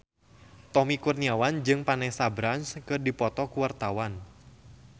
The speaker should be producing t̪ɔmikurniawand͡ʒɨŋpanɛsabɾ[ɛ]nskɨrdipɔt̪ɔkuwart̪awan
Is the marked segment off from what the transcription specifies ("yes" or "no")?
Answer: yes